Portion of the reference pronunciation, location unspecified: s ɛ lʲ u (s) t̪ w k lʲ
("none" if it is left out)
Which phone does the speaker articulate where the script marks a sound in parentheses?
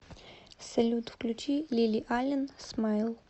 none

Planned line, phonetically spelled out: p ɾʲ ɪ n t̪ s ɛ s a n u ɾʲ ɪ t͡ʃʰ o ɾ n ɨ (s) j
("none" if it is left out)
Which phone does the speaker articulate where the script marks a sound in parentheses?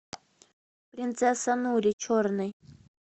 none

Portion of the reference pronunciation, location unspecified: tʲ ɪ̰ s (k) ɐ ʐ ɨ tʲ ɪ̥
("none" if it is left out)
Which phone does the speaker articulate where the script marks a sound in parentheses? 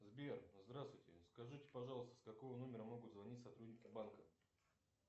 k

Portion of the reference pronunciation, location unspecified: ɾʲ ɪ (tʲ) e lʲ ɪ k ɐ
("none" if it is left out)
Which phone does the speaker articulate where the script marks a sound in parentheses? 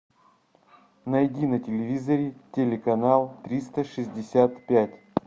tʲ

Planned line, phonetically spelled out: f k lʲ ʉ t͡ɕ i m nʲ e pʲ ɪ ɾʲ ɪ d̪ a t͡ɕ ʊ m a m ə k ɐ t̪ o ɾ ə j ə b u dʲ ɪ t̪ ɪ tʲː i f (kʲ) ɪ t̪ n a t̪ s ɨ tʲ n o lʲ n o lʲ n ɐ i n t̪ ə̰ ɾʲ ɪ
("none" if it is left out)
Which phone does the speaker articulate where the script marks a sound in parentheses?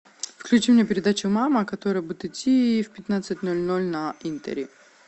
pʲ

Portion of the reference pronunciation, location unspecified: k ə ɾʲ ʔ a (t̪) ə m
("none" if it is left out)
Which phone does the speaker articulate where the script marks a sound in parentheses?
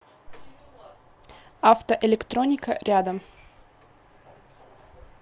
d̪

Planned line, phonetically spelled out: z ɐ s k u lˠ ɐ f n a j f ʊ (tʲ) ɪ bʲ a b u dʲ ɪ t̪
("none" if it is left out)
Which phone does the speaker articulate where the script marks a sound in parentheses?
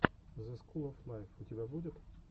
tʲ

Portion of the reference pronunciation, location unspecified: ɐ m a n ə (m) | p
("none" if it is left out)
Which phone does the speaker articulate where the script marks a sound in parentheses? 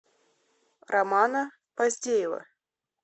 none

